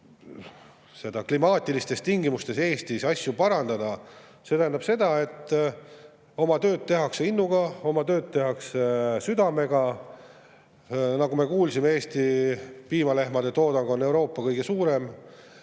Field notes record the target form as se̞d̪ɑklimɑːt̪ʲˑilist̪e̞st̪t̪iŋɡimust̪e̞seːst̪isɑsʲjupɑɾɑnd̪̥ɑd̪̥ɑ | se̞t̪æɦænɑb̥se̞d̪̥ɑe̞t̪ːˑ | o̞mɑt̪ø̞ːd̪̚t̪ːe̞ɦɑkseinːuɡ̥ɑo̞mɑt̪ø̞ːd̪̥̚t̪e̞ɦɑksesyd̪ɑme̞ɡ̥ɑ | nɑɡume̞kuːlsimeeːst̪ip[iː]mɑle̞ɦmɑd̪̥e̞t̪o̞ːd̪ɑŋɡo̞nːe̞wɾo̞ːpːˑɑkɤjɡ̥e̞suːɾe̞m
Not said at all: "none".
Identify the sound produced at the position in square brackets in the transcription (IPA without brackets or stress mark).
iː